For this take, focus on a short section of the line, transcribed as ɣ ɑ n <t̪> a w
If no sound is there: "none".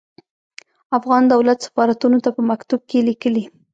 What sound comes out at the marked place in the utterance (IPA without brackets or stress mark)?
d̪